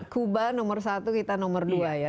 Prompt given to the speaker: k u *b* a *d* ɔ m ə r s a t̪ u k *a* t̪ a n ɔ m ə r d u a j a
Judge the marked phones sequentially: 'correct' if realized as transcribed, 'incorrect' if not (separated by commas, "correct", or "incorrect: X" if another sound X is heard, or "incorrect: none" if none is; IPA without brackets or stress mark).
correct, incorrect: n, incorrect: i